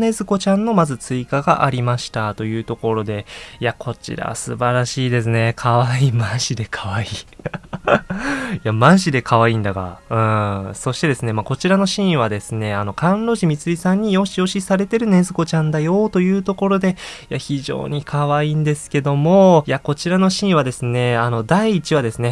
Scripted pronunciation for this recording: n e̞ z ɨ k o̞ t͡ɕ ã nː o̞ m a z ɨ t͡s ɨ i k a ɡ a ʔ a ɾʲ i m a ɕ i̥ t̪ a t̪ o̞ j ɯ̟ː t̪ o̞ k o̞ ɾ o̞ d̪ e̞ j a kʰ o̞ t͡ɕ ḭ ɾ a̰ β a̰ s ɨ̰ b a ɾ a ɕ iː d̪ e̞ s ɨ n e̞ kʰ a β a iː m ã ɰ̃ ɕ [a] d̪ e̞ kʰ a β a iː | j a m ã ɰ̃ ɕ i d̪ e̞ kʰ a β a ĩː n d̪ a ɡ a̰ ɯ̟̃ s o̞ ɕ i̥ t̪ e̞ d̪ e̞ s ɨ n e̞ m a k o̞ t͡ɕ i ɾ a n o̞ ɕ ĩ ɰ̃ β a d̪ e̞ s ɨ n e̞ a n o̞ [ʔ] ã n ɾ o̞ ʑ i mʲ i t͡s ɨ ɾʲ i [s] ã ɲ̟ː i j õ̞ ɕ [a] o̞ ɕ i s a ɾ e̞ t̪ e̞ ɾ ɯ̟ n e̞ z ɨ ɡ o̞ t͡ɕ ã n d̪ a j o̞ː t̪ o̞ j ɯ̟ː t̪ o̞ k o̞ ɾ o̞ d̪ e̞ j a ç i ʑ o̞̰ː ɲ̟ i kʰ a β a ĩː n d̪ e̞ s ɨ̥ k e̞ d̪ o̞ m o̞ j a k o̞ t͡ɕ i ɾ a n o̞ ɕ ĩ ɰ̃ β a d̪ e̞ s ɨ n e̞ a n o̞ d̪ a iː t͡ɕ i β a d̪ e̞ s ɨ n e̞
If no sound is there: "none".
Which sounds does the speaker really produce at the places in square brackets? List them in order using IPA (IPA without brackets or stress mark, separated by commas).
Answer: i, k, s, i